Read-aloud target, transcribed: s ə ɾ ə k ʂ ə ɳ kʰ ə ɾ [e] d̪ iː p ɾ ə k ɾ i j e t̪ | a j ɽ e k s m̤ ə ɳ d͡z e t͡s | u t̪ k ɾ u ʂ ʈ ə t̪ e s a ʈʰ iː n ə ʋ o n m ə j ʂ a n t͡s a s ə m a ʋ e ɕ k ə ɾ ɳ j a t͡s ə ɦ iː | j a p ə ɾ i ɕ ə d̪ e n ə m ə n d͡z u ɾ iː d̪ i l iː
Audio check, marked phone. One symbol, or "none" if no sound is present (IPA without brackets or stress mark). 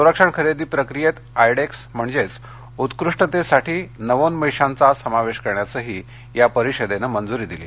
e